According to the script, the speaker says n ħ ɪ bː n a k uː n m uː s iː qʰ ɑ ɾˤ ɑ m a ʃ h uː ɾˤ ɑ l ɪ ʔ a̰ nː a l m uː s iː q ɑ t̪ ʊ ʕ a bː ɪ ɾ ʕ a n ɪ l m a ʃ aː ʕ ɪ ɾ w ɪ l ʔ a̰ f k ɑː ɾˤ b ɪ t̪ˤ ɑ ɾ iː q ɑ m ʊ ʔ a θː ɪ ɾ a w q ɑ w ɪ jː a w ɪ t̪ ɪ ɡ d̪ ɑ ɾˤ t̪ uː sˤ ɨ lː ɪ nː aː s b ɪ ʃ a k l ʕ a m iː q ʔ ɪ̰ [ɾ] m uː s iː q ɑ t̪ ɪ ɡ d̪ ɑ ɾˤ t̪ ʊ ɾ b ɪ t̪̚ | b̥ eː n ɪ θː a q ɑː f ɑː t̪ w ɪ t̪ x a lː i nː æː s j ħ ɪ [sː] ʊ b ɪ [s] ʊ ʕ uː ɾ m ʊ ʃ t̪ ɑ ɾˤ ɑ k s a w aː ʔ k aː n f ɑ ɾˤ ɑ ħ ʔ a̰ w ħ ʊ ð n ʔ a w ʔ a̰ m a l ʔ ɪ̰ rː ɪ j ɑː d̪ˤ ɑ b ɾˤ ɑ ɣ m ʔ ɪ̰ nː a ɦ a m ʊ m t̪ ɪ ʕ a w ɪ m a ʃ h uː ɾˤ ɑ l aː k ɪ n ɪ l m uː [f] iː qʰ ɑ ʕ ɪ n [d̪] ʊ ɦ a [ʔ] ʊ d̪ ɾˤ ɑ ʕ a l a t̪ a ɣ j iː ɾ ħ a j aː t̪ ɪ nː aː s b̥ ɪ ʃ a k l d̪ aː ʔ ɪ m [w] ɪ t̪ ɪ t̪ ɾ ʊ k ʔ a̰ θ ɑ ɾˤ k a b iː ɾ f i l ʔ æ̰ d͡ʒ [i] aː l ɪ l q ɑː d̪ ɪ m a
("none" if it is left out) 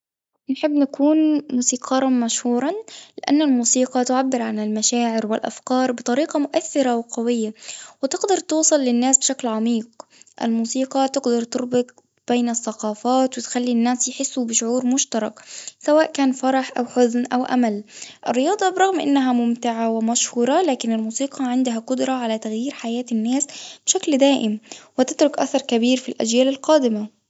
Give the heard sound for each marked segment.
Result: l, sː, ʃ, s, d̪, q, w, j

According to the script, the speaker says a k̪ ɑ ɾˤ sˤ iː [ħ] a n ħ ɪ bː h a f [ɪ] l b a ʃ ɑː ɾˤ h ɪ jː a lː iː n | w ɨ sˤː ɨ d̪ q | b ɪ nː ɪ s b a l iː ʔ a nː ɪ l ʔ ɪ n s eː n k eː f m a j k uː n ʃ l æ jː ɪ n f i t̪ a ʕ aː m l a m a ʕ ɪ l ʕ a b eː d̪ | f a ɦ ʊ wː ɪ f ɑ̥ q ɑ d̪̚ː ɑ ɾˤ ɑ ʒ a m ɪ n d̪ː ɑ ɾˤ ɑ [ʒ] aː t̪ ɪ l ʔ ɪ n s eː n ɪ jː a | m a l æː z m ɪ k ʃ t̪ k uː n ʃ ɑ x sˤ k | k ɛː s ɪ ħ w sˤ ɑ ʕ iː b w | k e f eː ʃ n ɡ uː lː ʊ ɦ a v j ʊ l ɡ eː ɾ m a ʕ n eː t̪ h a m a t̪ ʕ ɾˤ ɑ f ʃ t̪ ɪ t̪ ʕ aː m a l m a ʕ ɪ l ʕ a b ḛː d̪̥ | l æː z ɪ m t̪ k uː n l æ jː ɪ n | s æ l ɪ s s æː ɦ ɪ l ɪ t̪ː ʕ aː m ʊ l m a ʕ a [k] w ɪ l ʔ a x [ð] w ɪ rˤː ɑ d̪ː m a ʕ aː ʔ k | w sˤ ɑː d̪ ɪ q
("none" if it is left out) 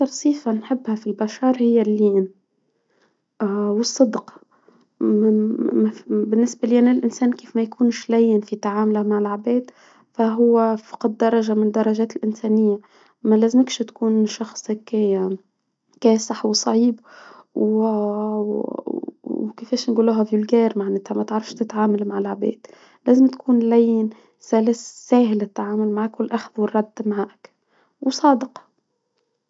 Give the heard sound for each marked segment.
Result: f, i, ʒ, k, ð

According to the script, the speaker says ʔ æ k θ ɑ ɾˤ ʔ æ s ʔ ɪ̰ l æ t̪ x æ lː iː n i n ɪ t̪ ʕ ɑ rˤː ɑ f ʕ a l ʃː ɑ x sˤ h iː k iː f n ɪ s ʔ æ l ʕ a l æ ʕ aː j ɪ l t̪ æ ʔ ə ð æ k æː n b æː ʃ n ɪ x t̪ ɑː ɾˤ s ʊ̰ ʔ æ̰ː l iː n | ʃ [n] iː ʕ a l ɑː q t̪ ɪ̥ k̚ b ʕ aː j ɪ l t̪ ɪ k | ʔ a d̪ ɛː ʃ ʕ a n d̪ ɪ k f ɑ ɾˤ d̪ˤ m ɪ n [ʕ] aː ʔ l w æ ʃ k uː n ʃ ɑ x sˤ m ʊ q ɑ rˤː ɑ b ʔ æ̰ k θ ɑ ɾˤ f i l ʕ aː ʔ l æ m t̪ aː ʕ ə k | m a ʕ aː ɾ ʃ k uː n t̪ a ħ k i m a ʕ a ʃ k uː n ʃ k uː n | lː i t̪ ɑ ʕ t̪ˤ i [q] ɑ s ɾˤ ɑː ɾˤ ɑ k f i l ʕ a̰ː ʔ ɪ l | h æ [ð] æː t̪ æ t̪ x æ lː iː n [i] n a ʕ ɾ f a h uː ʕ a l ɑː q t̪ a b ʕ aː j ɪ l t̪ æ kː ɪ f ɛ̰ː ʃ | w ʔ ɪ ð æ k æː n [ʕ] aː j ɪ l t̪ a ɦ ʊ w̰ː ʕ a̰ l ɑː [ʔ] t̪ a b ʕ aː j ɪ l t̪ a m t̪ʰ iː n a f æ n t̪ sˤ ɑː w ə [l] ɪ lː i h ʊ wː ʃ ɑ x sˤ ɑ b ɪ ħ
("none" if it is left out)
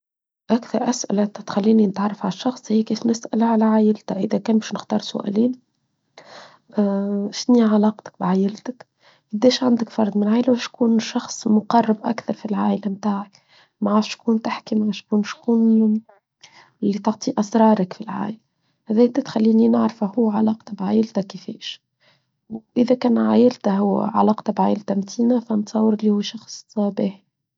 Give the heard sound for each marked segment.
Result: n, ʕ, ʔ, ð, i, ʕ, q, ɾ

